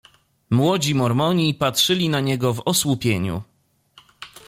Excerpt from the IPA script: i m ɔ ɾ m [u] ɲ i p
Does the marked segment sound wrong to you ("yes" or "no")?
yes